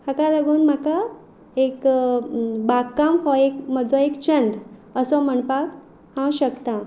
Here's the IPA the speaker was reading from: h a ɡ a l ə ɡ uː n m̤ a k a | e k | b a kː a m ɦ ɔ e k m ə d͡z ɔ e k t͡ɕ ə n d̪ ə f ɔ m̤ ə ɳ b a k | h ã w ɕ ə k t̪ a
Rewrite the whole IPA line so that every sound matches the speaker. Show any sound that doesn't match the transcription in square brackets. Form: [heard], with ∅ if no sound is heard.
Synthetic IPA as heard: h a [k] a l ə ɡ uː n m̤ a k a | e k | b a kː a m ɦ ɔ e k m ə d͡z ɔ e k t͡ɕ ə n d̪ ə [s] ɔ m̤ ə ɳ [p] a k | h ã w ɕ ə k t̪ a